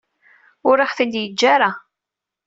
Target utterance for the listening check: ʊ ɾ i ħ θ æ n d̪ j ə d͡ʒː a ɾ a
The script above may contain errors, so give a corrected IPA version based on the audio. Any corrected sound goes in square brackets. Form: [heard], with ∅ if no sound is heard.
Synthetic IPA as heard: ʊ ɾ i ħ θ [i] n d̪ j ə d͡ʒː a ɾ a